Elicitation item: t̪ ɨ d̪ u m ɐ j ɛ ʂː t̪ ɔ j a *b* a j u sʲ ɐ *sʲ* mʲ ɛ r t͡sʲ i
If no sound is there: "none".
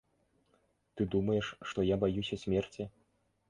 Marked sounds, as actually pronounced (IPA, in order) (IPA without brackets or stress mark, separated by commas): b, sʲ